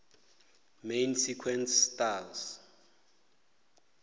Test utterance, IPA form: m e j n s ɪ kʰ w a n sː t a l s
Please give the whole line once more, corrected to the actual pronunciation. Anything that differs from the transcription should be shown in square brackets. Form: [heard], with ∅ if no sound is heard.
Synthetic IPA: m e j n s [i] kʰ w [ɛ] n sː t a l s